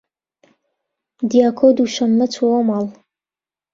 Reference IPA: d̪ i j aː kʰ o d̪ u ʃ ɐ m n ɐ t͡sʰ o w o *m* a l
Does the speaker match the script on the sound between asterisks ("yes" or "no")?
yes